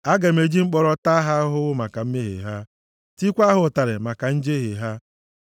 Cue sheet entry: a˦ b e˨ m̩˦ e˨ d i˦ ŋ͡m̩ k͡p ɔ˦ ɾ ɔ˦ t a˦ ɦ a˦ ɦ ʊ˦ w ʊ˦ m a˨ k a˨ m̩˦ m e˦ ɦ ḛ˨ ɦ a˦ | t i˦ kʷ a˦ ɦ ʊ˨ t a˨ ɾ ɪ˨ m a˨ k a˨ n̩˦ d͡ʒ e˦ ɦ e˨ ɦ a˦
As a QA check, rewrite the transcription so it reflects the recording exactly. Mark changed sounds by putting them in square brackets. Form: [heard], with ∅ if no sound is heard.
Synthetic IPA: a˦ [ɡ] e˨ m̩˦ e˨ [d͡ʒ] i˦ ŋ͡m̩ k͡p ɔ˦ ɾ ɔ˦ t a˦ ɦ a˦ ɦ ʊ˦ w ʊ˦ m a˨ k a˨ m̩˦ m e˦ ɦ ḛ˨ ɦ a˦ | t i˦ kʷ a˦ ɦ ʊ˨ t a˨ ɾ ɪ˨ m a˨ k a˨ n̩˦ d͡ʒ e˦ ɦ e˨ ɦ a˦